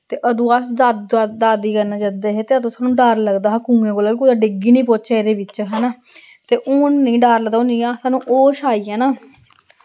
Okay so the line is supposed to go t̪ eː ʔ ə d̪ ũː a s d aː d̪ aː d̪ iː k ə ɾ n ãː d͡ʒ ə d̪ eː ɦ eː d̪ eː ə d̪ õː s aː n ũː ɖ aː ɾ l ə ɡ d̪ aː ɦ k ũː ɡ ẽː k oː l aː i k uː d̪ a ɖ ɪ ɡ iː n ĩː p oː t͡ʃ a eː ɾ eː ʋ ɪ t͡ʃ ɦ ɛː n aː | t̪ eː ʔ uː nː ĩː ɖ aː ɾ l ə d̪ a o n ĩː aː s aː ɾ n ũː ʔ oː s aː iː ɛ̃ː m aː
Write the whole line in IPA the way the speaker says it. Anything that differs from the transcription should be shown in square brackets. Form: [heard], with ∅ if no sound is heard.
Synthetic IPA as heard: t̪ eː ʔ ə d̪ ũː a s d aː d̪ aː d̪ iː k ə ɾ n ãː d͡ʒ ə d̪ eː ɦ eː [t̪] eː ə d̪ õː s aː n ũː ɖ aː ɾ l ə ɡ d̪ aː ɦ k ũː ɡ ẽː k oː l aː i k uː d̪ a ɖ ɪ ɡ iː n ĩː p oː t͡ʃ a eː ɾ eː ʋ ɪ t͡ʃ ɦ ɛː n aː | t̪ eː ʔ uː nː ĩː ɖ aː ɾ l ə d̪ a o n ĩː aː s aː [∅] n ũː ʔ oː [ʃ] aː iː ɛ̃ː [n] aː